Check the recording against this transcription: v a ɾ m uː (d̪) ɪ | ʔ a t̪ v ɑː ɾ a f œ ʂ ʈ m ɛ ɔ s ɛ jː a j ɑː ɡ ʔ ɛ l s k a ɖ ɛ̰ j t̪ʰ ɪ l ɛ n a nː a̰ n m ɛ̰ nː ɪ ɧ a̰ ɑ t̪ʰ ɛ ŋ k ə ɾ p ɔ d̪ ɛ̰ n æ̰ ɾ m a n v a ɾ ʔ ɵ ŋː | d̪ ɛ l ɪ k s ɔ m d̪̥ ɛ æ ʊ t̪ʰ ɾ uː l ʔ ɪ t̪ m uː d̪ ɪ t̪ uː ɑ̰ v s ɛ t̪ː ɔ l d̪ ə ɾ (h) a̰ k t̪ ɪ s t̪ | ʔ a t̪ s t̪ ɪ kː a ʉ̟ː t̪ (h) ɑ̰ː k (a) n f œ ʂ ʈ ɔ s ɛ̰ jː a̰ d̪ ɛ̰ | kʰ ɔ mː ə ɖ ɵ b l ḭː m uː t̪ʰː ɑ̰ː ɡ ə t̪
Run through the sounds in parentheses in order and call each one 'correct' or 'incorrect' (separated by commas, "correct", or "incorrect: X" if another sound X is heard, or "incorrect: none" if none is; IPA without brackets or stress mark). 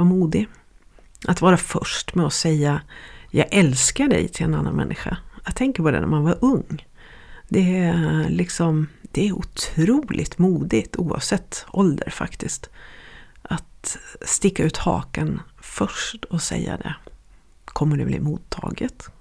correct, incorrect: f, correct, incorrect: ə